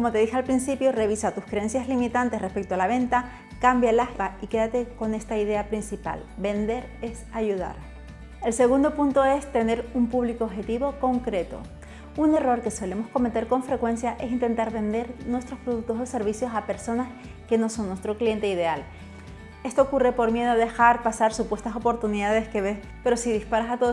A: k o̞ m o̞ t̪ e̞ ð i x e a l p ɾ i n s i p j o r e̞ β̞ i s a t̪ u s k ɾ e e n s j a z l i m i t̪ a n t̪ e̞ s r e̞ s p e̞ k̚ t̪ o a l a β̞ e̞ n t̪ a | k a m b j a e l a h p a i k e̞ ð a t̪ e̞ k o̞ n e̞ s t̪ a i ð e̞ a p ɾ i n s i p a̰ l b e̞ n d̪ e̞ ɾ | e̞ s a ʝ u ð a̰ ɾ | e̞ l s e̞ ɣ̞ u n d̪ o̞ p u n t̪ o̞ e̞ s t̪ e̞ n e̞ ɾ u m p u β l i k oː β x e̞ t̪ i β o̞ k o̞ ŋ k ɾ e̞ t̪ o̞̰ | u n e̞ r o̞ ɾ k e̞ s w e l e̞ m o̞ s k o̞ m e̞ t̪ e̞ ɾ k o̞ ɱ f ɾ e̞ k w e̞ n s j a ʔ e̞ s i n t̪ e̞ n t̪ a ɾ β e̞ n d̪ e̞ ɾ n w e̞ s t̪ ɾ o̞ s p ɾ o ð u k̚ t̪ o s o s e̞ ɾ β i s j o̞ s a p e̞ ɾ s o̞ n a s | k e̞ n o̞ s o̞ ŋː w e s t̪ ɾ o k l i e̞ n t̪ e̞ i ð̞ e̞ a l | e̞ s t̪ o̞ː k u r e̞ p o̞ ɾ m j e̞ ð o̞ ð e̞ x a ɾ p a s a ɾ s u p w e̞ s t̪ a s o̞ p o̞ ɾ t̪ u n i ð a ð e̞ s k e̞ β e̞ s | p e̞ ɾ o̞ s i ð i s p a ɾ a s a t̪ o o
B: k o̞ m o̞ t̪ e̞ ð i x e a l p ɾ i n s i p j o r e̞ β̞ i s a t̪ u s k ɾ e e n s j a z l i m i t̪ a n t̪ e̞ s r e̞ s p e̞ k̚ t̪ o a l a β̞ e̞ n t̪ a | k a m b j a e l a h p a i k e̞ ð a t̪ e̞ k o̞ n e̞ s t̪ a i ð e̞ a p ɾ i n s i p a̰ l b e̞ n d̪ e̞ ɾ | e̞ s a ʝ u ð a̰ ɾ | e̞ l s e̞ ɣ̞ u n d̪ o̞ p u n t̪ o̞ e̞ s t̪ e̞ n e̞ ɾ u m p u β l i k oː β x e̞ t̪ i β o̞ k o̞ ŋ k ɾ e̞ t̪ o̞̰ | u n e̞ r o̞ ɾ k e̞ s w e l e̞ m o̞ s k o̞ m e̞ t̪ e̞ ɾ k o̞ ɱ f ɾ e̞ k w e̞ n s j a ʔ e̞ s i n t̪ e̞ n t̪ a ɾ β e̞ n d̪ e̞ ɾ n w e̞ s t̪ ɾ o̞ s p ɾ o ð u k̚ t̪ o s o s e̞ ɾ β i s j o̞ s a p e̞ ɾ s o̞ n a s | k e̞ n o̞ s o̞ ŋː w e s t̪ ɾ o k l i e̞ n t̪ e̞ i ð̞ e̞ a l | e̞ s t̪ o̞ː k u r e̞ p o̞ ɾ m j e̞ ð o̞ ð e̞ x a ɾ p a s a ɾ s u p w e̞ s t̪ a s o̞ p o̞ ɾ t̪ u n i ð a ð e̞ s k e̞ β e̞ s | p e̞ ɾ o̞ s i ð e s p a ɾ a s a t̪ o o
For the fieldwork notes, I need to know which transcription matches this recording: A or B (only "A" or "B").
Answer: A